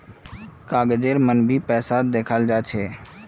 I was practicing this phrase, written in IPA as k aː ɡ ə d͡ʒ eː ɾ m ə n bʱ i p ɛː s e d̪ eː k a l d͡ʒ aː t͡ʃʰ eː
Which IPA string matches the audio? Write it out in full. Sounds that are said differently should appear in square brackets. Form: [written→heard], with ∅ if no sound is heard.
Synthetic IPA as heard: k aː ɡ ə d͡ʒ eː ɾ m ə n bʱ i p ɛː s [e→a] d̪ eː [k→kʰ] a l d͡ʒ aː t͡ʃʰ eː